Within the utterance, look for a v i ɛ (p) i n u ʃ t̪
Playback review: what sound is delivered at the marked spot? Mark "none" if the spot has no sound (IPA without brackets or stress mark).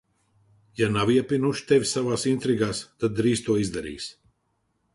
p